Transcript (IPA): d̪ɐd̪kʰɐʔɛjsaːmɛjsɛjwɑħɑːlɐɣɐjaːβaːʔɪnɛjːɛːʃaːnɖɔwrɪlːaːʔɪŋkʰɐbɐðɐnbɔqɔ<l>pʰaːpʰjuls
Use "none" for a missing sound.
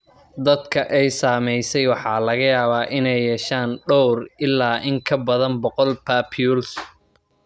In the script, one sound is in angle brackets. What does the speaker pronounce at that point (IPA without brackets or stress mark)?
l